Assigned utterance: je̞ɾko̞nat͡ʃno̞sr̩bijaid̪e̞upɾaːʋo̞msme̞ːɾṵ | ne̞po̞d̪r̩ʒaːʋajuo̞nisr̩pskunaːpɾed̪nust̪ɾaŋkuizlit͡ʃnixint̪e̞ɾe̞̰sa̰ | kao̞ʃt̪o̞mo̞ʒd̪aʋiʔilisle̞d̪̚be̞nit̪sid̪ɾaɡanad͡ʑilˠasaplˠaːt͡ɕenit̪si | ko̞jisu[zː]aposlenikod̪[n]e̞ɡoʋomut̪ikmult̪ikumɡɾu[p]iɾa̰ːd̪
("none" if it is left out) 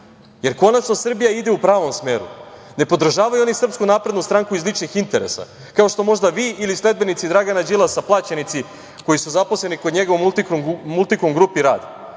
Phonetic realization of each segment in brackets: z, ɲ, p

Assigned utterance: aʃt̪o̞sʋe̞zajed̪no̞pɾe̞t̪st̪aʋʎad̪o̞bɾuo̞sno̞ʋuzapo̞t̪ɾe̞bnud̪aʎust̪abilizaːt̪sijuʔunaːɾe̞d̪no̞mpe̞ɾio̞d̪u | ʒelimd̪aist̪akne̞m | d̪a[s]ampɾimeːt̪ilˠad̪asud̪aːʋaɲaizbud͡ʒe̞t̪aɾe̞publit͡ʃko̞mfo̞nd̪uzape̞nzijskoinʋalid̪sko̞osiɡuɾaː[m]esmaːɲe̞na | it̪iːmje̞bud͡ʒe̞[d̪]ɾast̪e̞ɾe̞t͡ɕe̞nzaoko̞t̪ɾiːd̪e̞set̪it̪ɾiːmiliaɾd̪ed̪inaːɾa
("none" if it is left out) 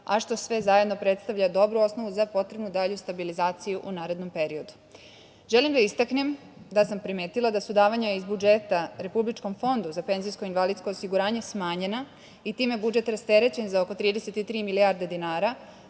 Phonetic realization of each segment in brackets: s, ɲ, t̪

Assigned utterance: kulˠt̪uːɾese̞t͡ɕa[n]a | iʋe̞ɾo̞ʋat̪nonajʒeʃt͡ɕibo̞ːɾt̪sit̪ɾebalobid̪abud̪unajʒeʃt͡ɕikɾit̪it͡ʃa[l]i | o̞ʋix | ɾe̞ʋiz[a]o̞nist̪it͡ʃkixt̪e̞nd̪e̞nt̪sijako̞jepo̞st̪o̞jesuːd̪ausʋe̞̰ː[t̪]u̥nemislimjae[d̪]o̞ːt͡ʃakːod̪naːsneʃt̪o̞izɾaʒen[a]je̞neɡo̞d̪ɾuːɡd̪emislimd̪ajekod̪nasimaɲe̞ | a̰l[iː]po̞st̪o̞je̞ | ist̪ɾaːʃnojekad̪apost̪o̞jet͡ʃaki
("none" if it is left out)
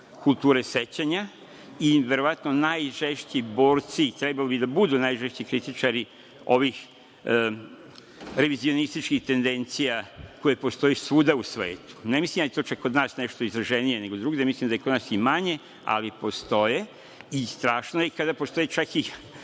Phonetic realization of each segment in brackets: ɲ, ɾ, i, t̪, t̪, i, i

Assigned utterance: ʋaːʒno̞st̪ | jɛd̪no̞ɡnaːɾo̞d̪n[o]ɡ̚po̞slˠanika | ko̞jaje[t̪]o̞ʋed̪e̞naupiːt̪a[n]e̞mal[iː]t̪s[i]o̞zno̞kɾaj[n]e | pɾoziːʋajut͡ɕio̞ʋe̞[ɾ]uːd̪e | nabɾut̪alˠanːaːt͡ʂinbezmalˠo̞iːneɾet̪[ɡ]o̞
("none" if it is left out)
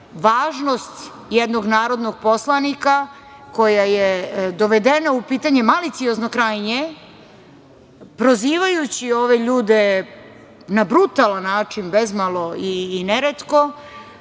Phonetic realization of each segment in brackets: o, d̪, ɲ, i, i, ɲ, ʎ, k

